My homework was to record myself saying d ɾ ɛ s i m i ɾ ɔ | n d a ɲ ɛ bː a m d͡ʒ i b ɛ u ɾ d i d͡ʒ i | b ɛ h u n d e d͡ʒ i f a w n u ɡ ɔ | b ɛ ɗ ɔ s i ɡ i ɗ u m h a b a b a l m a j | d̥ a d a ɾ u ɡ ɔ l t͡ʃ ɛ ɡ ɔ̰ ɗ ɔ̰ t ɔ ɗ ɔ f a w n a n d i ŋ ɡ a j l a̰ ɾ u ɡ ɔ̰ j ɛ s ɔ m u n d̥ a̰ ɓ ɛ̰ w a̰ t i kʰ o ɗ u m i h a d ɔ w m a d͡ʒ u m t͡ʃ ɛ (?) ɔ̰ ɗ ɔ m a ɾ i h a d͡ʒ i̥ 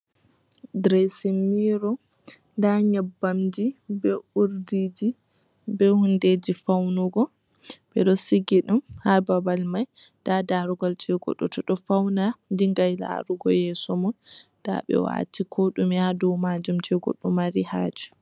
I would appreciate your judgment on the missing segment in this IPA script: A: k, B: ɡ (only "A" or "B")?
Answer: B